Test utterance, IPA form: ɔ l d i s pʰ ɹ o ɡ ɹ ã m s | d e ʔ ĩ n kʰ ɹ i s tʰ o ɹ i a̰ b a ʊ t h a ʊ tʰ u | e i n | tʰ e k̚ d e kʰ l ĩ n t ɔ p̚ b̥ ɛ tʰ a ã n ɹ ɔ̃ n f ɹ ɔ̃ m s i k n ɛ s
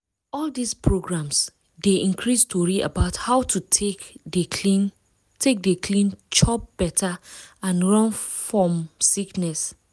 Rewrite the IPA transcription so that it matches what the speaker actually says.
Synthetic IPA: ɔ l d i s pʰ ɹ o ɡ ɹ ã m s | d e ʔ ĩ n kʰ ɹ i s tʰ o ɹ i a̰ b a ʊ t h a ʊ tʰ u | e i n | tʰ e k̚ d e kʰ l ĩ n t͡ʃ ɔ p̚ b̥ ɛ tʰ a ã n ɹ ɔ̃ n f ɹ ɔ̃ m s i k n ɛ s